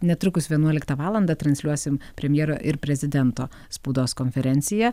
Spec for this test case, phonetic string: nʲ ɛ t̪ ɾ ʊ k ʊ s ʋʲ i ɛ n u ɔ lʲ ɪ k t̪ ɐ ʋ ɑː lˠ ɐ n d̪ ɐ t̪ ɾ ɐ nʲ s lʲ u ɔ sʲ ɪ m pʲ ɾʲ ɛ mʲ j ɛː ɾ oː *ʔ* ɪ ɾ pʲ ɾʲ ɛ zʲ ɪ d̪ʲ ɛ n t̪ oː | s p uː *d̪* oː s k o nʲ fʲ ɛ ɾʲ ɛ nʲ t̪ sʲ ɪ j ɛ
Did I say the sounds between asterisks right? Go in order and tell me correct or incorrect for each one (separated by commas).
correct, correct